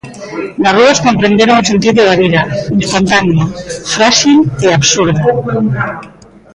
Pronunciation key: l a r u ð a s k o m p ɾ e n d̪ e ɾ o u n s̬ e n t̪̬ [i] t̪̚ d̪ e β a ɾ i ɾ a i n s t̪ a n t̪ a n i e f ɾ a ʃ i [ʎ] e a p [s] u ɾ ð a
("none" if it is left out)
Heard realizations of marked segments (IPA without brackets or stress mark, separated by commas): i, l, s